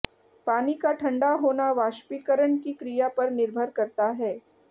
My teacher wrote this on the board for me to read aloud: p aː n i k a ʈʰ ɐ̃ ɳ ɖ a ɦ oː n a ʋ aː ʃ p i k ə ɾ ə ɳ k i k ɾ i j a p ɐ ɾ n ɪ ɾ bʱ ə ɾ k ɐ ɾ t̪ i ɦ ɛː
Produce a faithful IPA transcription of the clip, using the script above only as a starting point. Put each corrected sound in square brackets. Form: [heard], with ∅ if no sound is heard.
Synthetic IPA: p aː n i k a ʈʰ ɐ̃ ɳ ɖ a ɦ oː n a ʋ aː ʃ p i k ə ɾ ə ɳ k i k ɾ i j a p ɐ ɾ n ɪ ɾ bʱ ə ɾ k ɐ ɾ t̪ [a] ɦ ɛː